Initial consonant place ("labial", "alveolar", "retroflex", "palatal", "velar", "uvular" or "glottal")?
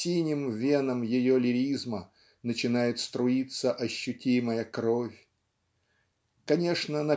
alveolar